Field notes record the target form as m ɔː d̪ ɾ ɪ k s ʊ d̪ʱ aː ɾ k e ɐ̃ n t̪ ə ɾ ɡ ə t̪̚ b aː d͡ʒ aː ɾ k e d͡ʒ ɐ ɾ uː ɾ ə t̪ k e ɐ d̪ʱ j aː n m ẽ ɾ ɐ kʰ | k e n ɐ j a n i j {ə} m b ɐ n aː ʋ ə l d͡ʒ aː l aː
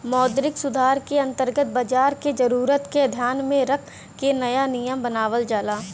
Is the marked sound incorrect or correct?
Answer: correct